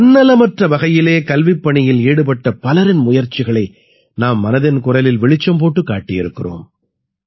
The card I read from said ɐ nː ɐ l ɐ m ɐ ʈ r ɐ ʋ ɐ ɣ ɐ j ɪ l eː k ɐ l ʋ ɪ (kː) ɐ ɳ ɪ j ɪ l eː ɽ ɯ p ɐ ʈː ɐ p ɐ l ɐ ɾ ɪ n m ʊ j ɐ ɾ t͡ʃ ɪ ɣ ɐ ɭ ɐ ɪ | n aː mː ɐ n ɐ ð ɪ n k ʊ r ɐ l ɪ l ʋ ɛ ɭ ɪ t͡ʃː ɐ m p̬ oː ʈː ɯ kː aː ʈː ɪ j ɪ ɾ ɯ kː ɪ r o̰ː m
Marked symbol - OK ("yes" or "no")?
no